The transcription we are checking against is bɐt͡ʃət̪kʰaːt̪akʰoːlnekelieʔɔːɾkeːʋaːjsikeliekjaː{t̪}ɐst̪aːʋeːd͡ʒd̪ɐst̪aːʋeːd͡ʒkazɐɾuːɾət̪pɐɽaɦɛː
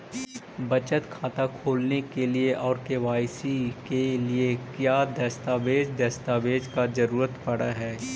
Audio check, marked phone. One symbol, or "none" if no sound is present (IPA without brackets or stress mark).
d̪